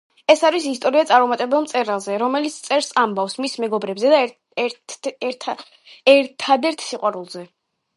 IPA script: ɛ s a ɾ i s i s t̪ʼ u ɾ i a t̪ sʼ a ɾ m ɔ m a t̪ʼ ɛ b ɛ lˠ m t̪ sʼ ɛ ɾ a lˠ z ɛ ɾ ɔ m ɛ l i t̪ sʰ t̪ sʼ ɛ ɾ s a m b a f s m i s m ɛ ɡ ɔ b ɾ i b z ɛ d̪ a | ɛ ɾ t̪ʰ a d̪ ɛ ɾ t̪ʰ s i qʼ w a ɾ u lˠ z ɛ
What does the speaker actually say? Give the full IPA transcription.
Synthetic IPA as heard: ɛ s a ɾ i s i s t̪ʼ ɔ ɾ i a t̪ sʼ a ɾ m ɔ m a t̪ʼ ɛ b ɛ lˠ m t̪ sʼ ɛ ɾ a lˠ z ɛ ɾ ɔ m ɛ l i t̪ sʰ t̪ sʼ ɛ ɾ s a m b a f s m i s m ɛ ɡ ɔ b ɾ ɛ b z ɛ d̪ a | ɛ ɾ t̪ʰ a d̪ ɛ ɾ t̪ʰ s i qʼ w a ɾ u lˠ z ɛ

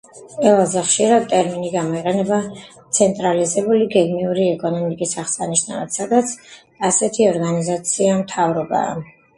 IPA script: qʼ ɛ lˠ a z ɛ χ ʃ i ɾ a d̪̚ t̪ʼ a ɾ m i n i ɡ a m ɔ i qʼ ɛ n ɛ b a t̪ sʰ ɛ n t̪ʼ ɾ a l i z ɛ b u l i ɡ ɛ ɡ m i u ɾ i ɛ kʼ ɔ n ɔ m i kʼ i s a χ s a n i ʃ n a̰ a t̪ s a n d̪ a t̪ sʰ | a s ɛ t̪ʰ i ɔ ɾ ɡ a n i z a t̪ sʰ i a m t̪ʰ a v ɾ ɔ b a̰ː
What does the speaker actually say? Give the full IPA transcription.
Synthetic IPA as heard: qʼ ɛ lˠ a z ɛ χ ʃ i ɾ a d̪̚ t̪ʼ ɛ ɾ m i n i ɡ a m ɔ i qʼ ɛ n ɛ b a t̪ sʰ ɛ n t̪ʼ ɾ a l i z ɛ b u l i ɡ ɛ ɡ m i u ɾ i ɛ kʼ ɔ n ɔ m i kʼ i s a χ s a n i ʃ n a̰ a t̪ s a d̪ a t̪ sʰ | a s ɛ t̪ʰ i ɔ ɾ ɡ a n i z a t̪ sʰ i a m t̪ʰ a v ɾ ɔ b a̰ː

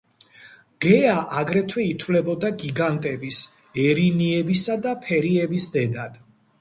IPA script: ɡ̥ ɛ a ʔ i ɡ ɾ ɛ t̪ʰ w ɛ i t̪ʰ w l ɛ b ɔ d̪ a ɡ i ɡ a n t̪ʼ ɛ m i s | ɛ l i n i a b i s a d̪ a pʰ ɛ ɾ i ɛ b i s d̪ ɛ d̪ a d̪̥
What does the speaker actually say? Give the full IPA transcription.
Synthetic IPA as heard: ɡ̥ ɛ a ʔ a ɡ ɾ ɛ t̪ʰ w ɛ i t̪ʰ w l ɛ b ɔ d̪ a ɡ i ɡ a n t̪ʼ ɛ b i s | ɛ ɾ i n i ɛ b i s a d̪ a pʰ ɛ ɾ i ɛ b i s d̪ ɛ d̪ a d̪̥

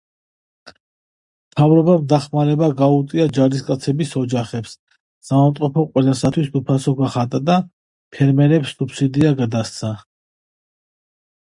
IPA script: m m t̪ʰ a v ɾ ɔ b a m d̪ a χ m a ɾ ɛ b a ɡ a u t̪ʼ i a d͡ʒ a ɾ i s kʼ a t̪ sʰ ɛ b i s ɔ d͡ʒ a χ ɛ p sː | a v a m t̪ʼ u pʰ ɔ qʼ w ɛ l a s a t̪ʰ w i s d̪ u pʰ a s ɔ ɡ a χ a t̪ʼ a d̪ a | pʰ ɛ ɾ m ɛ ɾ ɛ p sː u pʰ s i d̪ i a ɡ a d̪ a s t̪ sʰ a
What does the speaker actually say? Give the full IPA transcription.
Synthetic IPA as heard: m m t̪ʰ a v ɾ ɔ b a m d̪ a χ m a ɾ ɛ b a ɡ a u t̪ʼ i a d͡ʒ a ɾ i s kʼ a t̪ sʰ ɛ b i s ɔ d͡ʒ a χ ɛ p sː | a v a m t̪ʼ ɔ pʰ ɔ qʼ w ɛ l a s a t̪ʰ w i s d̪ u pʰ a s ɔ ɡ a χ a t̪ʼ a d̪ a | pʰ ɛ ɾ m ɛ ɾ ɛ p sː u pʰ s i d̪ i a ɡ a d̪ a s t̪ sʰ a

